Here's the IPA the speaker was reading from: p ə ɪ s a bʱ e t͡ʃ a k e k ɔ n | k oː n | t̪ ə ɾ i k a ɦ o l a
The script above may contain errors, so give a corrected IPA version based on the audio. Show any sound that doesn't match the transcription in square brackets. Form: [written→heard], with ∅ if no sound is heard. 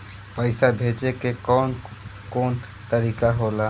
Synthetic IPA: p ə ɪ s a bʱ e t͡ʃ [a→e] k e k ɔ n | k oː n | t̪ ə ɾ i k a ɦ o l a